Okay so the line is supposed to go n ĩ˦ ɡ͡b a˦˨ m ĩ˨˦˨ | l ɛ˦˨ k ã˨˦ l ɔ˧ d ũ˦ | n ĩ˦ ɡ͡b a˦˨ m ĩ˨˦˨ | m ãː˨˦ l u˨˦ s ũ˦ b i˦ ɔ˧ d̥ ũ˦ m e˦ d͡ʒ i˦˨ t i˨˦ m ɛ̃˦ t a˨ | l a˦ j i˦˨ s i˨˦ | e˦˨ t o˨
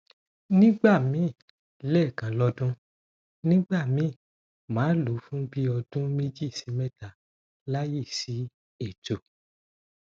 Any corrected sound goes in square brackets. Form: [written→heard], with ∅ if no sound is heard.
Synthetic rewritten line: n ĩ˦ ɡ͡b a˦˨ m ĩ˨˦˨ | l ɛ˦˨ k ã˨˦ l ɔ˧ d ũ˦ | n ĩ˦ ɡ͡b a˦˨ m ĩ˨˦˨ | m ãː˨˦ l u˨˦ [s→f] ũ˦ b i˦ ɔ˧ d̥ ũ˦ m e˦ d͡ʒ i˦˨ [t→s] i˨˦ m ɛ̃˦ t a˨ | l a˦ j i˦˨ s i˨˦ | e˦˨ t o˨